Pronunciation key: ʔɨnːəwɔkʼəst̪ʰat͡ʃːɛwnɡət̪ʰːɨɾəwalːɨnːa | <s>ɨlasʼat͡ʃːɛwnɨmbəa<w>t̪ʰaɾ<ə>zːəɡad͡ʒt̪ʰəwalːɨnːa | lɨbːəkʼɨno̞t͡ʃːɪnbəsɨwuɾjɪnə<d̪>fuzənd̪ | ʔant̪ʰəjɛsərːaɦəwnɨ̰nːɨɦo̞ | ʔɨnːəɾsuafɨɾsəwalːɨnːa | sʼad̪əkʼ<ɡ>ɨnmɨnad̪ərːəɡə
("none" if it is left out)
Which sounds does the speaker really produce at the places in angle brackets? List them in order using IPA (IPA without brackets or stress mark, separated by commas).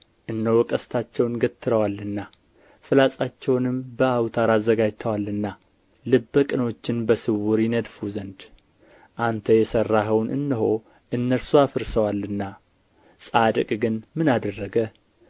f, w, a, d̪, ɡ